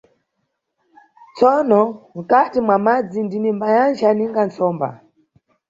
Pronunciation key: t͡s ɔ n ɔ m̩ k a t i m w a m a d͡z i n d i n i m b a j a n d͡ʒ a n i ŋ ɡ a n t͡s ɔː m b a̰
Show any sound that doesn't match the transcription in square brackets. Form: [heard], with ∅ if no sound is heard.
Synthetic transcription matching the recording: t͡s ɔ n ɔ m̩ k a t i m w a m a d͡z i n d i n i m b a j a n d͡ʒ a n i ŋ ɡ a n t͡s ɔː m b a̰